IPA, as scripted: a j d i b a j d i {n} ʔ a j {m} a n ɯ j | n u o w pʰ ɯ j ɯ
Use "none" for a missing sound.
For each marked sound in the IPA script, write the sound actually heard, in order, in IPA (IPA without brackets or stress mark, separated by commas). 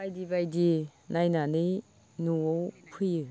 n, n